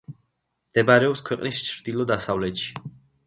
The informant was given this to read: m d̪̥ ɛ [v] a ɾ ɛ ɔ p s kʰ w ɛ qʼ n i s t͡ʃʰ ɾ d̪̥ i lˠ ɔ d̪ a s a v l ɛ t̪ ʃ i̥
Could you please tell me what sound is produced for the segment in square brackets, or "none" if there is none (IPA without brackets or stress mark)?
b